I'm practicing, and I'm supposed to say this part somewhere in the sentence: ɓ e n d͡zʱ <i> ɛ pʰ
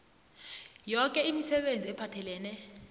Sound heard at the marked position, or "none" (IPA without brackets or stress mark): i